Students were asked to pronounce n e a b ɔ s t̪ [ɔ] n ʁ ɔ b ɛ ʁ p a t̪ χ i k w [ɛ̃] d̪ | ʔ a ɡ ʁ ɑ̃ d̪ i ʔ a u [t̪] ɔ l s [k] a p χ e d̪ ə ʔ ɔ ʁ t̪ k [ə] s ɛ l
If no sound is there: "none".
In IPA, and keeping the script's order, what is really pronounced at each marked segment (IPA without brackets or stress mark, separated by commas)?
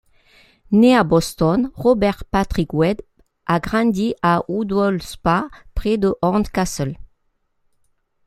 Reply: ɔ, ɛ, d̪, p, a